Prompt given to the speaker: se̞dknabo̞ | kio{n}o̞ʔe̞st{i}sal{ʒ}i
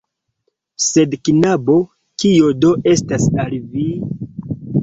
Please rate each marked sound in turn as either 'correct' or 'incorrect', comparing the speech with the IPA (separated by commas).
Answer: incorrect, incorrect, incorrect